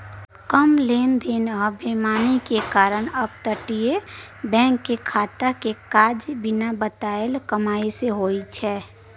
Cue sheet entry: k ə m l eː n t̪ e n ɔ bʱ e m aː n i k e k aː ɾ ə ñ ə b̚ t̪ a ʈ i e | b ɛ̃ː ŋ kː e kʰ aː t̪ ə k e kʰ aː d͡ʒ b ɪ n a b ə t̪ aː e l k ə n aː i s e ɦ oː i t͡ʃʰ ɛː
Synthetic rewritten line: k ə m l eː n d̪ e n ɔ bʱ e m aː n i k e k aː ɾ ə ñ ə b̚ t̪ ə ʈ i e | b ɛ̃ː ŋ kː e kʰ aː t̪ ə k e k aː d͡ʒ b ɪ n a b ə t̪ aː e l k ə m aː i s e ɦ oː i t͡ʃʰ ɛː